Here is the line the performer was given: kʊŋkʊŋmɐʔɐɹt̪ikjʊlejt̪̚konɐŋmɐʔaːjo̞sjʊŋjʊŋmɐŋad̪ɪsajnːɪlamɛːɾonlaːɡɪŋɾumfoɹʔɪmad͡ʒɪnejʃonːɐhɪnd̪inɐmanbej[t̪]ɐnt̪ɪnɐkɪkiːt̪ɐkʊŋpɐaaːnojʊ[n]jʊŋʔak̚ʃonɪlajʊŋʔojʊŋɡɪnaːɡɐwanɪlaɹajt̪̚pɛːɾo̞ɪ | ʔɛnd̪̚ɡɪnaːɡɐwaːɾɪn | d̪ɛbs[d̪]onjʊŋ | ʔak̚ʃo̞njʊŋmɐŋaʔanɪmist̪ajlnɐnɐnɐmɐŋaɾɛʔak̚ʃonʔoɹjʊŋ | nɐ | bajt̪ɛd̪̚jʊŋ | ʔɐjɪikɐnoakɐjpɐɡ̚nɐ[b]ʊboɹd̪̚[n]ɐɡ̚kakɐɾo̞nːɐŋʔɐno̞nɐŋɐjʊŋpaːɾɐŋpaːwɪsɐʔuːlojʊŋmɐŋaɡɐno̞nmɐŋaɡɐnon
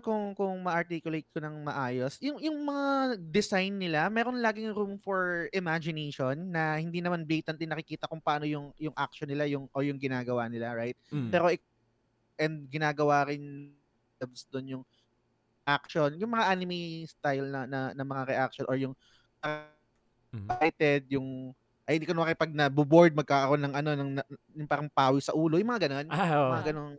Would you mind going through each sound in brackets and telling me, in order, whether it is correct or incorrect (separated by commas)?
correct, incorrect, correct, correct, incorrect